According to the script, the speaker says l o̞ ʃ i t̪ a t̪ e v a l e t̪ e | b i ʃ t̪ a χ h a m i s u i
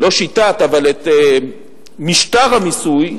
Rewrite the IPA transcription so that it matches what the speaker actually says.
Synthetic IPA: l o̞ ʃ i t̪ a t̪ a v a l e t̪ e | m i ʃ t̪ a ʁ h a m i s u j